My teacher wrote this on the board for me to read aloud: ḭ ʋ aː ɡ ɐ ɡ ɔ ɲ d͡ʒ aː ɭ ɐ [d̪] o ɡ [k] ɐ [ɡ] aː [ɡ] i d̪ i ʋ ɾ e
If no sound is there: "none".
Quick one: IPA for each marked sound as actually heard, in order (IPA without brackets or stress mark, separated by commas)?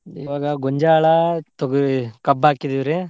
t̪, k, b, k